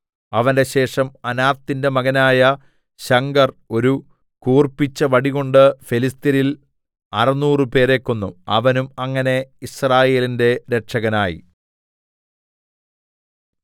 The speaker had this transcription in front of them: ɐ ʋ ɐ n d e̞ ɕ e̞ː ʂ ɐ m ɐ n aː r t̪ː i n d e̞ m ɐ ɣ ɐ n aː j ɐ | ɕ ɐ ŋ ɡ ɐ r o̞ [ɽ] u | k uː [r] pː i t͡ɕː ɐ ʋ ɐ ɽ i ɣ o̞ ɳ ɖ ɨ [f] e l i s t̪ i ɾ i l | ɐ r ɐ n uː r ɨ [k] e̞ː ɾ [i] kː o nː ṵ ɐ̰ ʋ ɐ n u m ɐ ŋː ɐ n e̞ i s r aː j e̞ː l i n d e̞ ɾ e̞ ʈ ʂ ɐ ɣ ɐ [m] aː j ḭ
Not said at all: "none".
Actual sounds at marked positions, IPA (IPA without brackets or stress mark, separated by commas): ɾ, r, f, p, e, n